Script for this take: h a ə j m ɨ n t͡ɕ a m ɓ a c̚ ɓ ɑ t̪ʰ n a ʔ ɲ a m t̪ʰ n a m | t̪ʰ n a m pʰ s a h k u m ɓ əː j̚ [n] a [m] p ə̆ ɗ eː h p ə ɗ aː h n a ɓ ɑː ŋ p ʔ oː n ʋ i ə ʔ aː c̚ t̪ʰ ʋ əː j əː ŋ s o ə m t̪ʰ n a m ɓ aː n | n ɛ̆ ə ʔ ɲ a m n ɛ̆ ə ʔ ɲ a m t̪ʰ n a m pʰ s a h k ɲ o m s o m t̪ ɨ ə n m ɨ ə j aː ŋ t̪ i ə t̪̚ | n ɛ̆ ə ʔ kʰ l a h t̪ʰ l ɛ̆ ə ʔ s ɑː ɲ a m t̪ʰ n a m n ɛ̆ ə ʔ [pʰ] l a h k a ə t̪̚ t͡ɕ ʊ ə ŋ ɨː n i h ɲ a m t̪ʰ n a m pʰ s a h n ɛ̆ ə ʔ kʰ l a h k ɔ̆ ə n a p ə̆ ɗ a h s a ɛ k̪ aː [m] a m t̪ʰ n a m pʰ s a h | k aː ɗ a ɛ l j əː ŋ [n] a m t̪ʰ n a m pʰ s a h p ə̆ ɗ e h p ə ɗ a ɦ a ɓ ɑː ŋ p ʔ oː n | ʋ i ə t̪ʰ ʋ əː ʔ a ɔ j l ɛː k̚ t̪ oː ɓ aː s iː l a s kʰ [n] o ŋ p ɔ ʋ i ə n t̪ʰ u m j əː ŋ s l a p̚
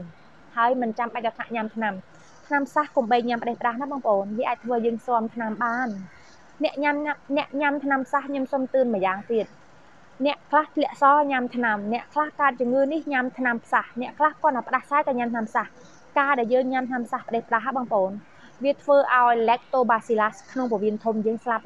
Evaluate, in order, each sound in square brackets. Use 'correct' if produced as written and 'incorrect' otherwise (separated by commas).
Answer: incorrect, correct, incorrect, incorrect, incorrect, correct